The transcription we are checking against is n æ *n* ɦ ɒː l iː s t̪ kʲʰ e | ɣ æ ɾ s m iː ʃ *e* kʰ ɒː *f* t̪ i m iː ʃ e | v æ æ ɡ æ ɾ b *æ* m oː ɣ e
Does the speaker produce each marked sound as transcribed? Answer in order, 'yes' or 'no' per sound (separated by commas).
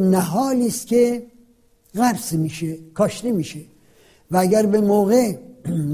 no, yes, no, no